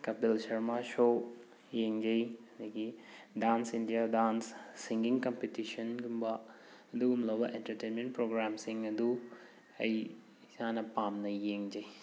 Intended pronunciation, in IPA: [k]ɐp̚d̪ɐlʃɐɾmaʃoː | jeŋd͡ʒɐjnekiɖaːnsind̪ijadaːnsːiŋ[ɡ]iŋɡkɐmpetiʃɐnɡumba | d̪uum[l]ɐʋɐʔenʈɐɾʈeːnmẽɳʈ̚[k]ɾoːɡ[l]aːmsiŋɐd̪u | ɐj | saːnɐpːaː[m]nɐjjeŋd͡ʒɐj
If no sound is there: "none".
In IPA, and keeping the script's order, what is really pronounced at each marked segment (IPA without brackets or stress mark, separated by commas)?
k, ɡ, l, p, ɾ, m